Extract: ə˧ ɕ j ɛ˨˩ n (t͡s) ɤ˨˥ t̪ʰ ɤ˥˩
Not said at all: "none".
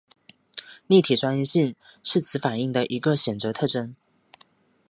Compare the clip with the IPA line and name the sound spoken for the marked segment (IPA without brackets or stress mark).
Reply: t͡s